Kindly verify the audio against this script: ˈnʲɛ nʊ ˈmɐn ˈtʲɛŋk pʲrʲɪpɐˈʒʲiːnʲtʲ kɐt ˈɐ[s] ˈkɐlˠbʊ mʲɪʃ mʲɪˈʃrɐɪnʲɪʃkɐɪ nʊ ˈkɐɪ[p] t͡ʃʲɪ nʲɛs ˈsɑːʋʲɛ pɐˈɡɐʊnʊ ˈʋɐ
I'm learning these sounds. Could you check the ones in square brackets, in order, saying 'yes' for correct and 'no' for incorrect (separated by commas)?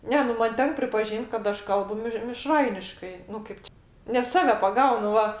no, yes